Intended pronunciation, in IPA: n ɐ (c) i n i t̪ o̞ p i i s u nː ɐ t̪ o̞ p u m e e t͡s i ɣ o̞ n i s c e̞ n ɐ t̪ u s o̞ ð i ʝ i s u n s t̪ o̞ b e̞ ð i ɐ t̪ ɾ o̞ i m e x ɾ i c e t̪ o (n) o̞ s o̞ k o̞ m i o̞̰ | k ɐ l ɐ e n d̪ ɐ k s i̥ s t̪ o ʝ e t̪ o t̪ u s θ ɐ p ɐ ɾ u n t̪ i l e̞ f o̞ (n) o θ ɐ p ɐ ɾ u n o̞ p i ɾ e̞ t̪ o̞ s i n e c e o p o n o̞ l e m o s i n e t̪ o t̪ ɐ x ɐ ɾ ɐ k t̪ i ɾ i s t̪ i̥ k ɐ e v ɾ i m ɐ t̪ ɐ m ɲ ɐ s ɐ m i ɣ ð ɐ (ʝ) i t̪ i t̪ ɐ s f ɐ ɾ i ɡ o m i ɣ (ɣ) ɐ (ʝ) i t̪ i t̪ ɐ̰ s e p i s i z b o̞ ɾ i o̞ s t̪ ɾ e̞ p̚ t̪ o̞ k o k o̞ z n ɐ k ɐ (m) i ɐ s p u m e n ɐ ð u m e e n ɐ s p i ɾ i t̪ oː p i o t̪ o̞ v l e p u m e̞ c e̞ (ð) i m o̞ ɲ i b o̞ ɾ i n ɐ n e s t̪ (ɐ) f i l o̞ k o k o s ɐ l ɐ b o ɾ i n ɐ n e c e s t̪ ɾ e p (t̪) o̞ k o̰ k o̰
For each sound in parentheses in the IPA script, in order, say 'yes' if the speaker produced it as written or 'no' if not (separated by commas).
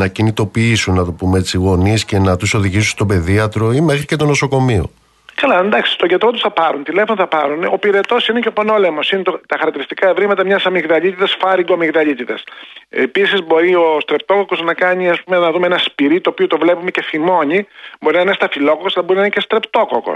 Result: yes, yes, yes, no, no, no, no, no, yes, yes